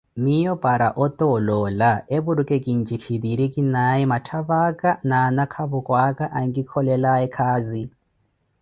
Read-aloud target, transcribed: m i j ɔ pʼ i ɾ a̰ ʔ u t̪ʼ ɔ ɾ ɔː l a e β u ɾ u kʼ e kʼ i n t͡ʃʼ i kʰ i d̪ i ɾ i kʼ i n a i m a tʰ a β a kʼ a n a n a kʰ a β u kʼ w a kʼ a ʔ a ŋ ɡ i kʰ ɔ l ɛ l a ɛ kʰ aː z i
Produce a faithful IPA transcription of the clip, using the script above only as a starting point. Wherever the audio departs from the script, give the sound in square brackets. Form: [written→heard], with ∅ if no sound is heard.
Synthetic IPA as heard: m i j ɔ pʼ [i→a] ɾ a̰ ʔ [u→ɔ] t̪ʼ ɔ [ɾ→l] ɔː l a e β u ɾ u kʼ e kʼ i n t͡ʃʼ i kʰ i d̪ i ɾ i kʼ i n a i m a tʰ a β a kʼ a n a n a kʰ a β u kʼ w a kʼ a ʔ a ŋ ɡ i kʰ ɔ l ɛ l a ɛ kʰ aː z i